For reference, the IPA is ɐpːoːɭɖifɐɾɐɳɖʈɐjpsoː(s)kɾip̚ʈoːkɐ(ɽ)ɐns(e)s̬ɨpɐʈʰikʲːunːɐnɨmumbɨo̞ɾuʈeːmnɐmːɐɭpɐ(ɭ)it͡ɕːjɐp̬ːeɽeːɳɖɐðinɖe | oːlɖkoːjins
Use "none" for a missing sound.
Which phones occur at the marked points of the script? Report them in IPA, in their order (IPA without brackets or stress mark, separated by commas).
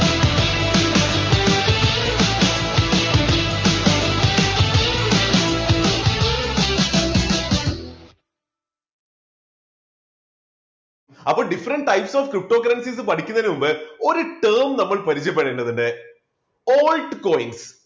f, ɾ, i, ɾ